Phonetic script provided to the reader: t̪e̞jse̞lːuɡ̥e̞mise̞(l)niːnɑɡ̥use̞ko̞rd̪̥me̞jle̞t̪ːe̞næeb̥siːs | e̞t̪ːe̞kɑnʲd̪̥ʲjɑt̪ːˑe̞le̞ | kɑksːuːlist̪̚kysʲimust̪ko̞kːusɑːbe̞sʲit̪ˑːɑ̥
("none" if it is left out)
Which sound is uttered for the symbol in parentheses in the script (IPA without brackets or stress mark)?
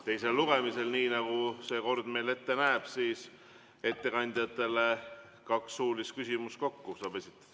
l